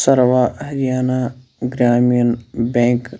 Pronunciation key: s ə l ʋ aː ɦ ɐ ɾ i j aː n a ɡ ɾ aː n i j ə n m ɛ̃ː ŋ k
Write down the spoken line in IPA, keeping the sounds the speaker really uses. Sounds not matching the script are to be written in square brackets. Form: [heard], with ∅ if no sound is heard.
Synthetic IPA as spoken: s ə [ɾ] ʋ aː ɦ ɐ ɾ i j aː n a ɡ ɾ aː [m] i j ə n [b] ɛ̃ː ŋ k

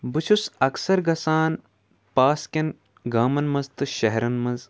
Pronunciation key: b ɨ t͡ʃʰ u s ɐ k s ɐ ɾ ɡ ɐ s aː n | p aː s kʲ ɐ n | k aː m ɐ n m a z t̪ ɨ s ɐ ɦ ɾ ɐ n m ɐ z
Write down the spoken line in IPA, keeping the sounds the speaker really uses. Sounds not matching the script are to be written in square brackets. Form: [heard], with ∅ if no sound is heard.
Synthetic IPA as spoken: b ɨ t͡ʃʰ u s ɐ k s ɐ ɾ ɡ ɐ s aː n | p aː s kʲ ɐ n | [ɡ] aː m ɐ n m [ɐ] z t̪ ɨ [ʃ] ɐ ɦ ɾ ɐ n m ɐ z

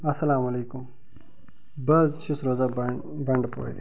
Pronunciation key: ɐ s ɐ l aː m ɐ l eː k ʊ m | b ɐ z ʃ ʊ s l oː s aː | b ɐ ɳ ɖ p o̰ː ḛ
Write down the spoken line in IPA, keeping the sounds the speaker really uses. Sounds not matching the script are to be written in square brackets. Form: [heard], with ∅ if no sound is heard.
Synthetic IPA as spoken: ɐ s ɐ l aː m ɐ l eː k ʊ m | b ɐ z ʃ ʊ s [ɾ] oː [z] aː | b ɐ ɳ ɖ p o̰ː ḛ

